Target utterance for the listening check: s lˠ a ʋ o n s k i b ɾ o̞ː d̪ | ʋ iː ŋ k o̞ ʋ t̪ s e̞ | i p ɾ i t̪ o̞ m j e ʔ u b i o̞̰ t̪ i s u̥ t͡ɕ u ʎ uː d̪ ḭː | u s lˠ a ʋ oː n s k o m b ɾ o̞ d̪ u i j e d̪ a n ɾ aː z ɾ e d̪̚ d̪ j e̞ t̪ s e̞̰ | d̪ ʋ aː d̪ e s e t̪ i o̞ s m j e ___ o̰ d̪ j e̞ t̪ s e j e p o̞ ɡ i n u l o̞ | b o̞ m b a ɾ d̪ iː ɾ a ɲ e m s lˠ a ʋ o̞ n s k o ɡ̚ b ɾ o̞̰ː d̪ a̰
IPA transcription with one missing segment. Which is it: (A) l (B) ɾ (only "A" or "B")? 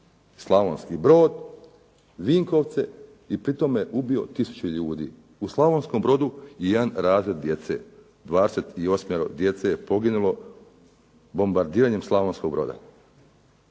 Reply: B